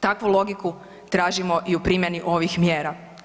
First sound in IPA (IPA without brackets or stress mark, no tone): t̪